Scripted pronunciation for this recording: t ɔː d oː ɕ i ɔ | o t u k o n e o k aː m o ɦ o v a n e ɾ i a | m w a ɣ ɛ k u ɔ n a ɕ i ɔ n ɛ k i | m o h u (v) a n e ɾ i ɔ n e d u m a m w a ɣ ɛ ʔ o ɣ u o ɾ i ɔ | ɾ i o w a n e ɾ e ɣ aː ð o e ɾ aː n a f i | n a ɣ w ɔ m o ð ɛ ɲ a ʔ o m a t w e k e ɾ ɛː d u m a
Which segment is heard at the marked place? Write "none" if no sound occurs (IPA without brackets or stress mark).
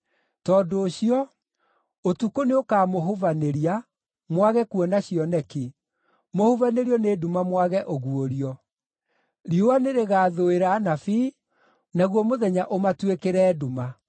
v